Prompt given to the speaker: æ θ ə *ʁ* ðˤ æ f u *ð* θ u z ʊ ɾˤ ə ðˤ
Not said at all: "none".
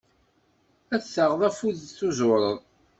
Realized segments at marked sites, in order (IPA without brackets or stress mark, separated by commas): ʁ, ð